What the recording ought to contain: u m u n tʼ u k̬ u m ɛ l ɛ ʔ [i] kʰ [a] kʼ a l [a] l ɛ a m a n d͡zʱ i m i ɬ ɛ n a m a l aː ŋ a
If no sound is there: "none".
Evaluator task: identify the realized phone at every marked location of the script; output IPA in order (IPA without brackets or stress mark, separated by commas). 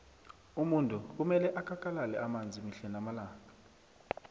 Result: a, a, a